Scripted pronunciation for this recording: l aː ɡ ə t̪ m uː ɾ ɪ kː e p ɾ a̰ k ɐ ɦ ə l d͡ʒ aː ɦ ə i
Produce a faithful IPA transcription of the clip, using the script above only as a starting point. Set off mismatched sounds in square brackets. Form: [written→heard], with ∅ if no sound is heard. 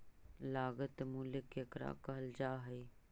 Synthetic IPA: l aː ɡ ə t̪ m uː [ɾ→l] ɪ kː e [p→k] ɾ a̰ k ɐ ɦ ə l d͡ʒ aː ɦ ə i